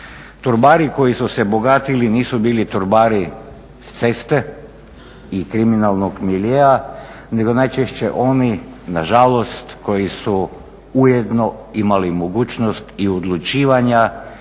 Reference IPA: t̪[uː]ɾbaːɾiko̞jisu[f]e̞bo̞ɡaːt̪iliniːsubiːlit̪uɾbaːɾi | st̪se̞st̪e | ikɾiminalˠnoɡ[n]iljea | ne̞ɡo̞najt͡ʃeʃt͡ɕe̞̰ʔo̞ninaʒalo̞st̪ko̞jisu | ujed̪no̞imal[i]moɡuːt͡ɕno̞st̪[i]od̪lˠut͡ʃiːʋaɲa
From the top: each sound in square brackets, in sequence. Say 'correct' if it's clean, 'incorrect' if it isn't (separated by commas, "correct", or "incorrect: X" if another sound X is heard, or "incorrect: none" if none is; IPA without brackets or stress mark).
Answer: incorrect: u, incorrect: s, incorrect: m, correct, correct